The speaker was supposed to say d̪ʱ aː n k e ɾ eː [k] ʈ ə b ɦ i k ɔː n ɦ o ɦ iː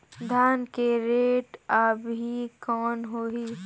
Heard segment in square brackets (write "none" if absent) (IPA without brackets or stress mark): none